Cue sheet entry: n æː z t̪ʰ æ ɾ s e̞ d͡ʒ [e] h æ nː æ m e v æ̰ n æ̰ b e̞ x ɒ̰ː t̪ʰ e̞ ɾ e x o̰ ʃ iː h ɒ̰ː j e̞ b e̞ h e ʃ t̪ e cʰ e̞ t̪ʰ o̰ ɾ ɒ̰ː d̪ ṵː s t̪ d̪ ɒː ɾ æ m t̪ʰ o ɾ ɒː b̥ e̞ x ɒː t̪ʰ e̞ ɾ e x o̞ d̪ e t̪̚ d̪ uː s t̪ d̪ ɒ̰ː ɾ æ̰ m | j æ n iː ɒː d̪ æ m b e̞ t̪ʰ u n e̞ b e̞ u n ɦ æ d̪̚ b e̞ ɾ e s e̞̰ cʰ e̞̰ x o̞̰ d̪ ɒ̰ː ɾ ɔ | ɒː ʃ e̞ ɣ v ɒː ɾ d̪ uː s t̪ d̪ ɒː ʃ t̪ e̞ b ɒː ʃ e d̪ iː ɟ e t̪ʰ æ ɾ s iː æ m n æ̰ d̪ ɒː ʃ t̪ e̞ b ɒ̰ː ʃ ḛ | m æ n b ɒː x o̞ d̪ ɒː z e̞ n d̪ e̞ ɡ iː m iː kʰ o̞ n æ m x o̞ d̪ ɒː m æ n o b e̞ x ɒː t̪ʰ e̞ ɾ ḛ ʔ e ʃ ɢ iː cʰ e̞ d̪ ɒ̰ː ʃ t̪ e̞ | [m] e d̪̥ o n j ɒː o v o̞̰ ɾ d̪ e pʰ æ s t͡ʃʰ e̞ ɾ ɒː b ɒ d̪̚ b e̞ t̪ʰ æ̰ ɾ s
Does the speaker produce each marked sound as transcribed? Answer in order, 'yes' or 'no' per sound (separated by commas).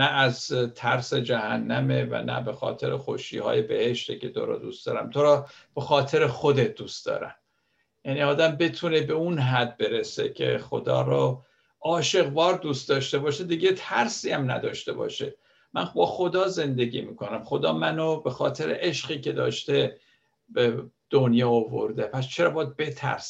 no, no